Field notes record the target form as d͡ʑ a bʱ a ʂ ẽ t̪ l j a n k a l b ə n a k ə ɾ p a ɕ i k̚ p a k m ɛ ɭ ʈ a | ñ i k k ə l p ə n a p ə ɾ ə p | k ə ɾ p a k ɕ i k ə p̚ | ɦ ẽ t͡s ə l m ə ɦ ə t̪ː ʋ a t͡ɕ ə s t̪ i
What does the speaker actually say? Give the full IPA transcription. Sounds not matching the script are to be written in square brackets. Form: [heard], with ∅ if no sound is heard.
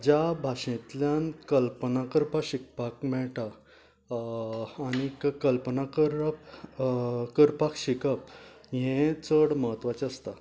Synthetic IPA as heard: d͡ʑ a bʱ a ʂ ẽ t̪ l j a n k [ə] l [p] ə n a k ə ɾ p a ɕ i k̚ p a k m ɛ ɭ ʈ a | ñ i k k ə l p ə n a [k] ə ɾ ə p | k ə ɾ p a k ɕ i k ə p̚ | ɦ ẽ t͡s ə [ɽ] m ə ɦ ə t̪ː ʋ a t͡ɕ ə s t̪ [a]